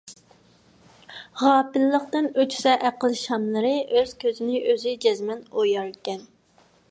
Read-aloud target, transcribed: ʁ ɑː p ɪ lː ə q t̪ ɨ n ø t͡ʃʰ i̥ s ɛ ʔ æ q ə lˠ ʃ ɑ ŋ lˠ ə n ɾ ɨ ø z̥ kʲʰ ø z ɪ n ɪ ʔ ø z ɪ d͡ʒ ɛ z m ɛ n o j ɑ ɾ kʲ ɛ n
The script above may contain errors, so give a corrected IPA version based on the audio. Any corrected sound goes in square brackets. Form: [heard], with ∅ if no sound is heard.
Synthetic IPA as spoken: ʁ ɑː p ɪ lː ə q t̪ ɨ n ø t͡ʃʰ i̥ s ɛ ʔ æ q ə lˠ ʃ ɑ [m] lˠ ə [∅] ɾ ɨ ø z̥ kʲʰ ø z ɪ n ɪ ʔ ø z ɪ d͡ʒ ɛ z m ɛ n o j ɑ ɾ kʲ ɛ n